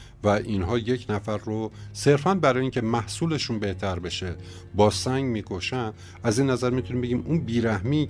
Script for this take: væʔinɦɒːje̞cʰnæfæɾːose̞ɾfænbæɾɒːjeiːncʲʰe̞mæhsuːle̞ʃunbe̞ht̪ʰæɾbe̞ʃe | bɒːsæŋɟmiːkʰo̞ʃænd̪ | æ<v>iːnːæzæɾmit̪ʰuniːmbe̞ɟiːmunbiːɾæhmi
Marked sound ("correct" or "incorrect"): incorrect